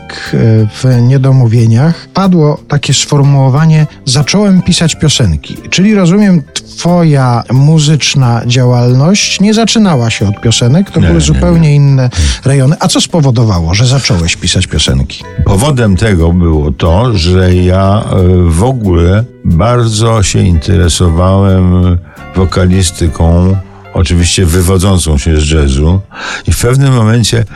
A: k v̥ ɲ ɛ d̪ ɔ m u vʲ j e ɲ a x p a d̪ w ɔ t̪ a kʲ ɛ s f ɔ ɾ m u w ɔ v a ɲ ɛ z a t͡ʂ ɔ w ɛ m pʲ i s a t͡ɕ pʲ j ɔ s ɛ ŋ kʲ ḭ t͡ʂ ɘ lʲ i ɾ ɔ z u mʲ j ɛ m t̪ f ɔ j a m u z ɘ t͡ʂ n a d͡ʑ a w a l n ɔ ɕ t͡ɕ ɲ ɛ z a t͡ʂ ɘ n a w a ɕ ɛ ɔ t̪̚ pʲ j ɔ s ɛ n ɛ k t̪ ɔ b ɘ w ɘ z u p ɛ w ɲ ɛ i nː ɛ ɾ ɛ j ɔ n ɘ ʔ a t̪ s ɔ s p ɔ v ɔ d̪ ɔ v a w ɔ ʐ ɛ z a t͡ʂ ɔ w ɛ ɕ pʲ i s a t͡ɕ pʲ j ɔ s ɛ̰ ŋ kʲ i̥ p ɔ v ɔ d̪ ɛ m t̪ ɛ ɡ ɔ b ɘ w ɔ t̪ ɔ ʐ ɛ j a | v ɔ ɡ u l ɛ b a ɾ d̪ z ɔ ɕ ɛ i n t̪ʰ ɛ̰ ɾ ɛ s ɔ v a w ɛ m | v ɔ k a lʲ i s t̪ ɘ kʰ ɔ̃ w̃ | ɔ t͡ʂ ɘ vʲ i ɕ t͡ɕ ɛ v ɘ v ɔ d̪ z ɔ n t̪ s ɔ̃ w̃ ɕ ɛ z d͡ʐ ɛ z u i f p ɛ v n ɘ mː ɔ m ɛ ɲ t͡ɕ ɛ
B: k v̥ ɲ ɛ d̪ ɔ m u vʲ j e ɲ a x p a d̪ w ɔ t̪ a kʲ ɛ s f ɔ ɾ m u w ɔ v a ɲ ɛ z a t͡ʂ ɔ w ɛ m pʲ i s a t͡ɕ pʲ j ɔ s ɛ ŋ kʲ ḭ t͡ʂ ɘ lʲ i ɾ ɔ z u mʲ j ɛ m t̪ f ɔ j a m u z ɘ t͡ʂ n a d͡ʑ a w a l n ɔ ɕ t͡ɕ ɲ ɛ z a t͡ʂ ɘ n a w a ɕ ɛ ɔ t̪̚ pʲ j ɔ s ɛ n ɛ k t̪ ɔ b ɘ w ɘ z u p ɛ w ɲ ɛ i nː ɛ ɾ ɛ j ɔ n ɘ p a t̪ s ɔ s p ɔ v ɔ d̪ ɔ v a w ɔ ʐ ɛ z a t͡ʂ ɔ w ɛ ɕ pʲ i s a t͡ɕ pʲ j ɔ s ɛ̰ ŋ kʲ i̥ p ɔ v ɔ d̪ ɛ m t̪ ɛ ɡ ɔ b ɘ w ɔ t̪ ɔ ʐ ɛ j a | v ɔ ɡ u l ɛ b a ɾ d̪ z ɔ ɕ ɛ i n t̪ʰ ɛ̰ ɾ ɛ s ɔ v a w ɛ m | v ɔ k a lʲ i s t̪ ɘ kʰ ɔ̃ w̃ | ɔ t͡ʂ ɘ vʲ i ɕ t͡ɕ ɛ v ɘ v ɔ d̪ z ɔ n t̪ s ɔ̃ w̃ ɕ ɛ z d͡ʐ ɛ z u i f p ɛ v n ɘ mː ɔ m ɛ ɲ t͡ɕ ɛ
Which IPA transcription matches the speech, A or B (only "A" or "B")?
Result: A